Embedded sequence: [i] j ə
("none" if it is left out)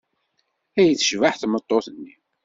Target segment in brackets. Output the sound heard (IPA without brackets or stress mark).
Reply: æ